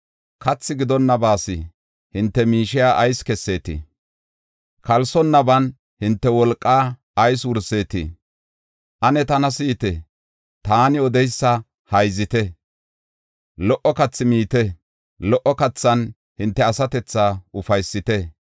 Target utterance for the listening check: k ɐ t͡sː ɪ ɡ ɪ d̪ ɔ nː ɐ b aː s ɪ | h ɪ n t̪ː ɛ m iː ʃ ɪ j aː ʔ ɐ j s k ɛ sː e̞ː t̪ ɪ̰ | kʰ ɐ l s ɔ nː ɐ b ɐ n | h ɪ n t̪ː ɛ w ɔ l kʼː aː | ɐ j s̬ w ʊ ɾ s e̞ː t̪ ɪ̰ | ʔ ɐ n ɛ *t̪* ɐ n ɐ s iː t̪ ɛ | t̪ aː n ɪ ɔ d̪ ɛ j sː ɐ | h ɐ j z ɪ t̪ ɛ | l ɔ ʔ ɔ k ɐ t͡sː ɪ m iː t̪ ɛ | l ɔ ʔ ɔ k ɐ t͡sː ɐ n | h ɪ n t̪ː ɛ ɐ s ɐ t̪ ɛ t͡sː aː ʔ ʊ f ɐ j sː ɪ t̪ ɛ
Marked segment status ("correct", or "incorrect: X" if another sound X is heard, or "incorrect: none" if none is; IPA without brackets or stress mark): correct